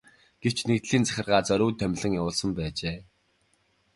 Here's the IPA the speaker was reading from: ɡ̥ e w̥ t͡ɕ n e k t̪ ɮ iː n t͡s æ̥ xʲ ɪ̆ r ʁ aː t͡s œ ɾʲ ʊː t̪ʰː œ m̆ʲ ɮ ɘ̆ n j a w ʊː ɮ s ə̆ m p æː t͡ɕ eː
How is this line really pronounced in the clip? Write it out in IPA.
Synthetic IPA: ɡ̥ e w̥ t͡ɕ n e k t̪ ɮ iː n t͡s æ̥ xʲ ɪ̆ r ʁ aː t͡s œ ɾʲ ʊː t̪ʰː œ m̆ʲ ɮ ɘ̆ ŋ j a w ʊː ɮ s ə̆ m p æː t͡ɕ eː